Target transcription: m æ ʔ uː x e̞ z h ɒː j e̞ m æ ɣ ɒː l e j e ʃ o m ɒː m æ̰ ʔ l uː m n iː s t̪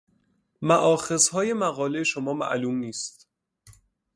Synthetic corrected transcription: m æ ʔ ɒː x e̞ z h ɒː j e̞ m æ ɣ ɒː l e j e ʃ o m ɒː m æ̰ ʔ l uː m n iː s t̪

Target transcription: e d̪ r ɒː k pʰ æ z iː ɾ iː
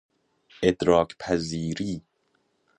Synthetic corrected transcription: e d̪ ɾ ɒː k pʰ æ z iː ɾ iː

